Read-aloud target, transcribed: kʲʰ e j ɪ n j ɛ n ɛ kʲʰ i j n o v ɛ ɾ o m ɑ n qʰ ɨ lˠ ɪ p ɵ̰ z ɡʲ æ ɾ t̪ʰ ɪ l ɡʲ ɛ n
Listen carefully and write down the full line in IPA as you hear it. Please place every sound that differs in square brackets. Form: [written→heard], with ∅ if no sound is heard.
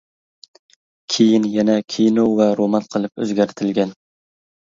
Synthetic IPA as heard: kʲʰ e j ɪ n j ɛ n ɛ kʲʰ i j n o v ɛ ɾ o m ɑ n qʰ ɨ lˠ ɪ p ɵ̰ z ɡʲ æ ɾ t̪ʰ ɪ l ɡʲ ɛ n

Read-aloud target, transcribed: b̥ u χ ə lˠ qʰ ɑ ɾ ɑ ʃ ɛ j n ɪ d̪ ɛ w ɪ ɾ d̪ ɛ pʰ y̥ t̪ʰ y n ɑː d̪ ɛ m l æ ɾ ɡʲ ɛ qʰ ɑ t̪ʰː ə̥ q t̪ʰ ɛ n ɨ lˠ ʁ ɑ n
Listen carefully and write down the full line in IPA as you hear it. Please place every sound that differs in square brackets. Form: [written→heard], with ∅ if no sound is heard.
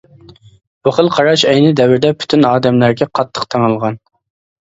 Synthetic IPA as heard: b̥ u χ ə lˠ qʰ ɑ ɾ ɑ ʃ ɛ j n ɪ d̪ ɛ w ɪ ɾ d̪ ɛ pʰ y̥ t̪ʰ y n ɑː d̪ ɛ m l æ ɾ ɡʲ ɛ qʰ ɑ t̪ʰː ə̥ q t̪ʰ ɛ [n→ŋ] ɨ lˠ ʁ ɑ n

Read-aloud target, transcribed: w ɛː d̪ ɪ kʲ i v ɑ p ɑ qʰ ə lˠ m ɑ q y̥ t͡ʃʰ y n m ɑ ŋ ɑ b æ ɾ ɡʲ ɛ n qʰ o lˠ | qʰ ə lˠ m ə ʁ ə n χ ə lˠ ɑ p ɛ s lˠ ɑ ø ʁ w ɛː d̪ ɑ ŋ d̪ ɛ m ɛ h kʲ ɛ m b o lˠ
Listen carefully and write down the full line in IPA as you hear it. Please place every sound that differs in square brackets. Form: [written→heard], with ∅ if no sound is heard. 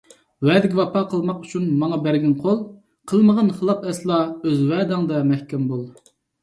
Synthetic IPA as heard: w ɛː d̪ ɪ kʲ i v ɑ p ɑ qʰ ə lˠ m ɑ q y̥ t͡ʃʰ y n m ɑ ŋ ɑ b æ ɾ ɡʲ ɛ n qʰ o lˠ | qʰ ə lˠ m ə ʁ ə n χ ə lˠ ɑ p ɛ s lˠ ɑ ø [ʁ→z] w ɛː d̪ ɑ ŋ d̪ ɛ m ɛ h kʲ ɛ m b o lˠ

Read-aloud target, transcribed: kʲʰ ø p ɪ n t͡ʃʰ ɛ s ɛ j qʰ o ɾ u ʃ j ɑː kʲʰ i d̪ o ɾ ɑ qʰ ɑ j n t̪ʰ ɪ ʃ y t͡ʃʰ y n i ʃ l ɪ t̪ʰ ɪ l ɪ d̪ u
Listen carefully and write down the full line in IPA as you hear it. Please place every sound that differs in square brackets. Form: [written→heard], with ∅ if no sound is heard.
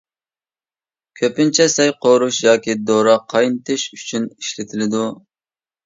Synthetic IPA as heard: kʲʰ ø p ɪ n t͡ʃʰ ɛ s ɛ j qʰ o ɾ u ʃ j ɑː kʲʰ i d̪ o ɾ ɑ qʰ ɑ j n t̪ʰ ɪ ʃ y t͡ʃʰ y n i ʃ l ɪ t̪ʰ ɪ l ɪ d̪ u

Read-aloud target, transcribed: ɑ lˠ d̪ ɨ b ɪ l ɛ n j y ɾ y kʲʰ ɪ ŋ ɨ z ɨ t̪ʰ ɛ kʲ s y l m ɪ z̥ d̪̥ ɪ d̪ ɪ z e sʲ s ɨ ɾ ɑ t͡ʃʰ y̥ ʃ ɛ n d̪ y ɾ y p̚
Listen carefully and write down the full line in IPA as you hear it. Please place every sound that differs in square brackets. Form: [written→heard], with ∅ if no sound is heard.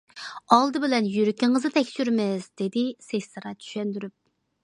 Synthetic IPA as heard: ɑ lˠ d̪ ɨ b ɪ l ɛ n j y ɾ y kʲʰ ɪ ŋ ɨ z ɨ t̪ʰ ɛ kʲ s y [l→ɾ] m ɪ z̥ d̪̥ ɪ d̪ ɪ [z→s] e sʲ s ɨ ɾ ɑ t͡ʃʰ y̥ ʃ ɛ n d̪ y ɾ y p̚

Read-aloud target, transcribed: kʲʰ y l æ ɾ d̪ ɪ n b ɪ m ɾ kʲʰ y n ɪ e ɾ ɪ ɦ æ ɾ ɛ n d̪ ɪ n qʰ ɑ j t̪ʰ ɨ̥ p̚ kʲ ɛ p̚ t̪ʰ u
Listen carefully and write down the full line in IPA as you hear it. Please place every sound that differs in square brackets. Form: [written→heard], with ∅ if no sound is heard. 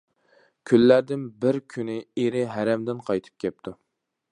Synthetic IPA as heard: kʲʰ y [l→lː] æ ɾ d̪ ɪ n b ɪ [m→∅] ɾ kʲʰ y n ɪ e ɾ ɪ ɦ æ ɾ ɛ [n→m] d̪ ɪ n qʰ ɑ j t̪ʰ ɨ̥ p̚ kʲ ɛ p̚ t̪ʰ u

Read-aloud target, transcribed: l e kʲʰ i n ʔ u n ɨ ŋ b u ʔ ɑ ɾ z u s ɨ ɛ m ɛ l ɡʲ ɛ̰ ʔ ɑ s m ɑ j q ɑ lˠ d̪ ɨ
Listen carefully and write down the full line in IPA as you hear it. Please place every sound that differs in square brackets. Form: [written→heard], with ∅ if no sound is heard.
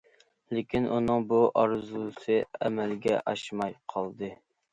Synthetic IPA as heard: l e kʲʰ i n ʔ u n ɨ ŋ b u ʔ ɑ ɾ z u s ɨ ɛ m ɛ l ɡʲ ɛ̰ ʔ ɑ [s→ʃ] m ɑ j [q→qʰ] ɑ lˠ d̪ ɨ

